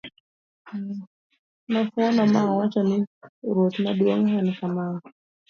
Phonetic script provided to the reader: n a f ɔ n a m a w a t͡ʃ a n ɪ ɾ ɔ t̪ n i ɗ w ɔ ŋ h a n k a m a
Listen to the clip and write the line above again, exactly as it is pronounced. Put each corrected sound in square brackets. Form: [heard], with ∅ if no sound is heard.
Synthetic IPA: n a f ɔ n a m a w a t͡ʃ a n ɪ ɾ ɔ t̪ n [a] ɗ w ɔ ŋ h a n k a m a